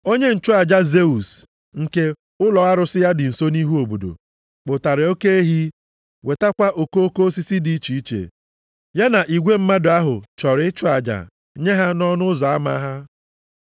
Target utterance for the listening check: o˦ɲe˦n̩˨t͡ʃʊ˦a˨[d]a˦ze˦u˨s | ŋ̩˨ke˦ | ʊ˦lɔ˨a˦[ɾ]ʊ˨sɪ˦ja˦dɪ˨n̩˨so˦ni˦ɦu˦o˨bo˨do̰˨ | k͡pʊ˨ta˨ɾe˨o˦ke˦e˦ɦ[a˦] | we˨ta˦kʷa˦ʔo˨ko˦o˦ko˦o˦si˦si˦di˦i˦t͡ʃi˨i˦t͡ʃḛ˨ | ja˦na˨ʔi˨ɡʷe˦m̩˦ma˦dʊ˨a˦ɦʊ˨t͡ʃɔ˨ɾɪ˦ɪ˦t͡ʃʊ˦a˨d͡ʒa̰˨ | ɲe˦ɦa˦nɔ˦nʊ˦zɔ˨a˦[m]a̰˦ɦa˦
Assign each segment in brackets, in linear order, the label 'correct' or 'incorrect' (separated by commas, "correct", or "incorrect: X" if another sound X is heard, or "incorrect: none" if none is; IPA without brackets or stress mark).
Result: incorrect: d͡ʒ, correct, incorrect: i˦, correct